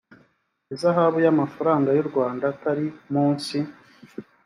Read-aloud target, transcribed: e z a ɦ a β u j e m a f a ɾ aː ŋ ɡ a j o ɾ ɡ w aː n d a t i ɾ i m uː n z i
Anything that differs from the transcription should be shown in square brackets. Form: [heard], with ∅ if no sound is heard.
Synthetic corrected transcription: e z a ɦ a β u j [a] m a f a ɾ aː ŋ ɡ a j [u] ɾ ɡ w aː n d a t [a] ɾ i m uː n [s] i